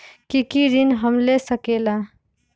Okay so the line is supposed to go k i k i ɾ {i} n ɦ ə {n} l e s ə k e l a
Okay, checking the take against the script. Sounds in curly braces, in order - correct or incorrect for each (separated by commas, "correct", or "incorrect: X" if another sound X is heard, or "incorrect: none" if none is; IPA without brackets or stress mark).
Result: correct, incorrect: m